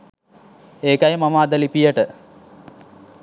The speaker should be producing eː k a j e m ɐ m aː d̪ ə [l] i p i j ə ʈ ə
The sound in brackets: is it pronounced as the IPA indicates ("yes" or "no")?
yes